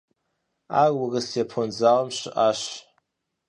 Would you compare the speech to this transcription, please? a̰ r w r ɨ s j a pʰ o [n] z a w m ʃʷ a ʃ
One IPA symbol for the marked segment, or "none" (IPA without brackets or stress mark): n